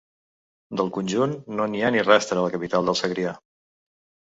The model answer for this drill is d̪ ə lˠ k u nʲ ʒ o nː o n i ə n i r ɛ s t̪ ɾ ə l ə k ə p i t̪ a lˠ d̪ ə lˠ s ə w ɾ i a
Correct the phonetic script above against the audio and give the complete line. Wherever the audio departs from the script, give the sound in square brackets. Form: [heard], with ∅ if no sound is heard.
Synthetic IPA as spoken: d̪ ə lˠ k u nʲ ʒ [u] nː o n i [a] n i r ɛ s t̪ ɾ ə l ə k ə p i t̪ a lˠ d̪ ə lˠ s ə [ɣ] ɾ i a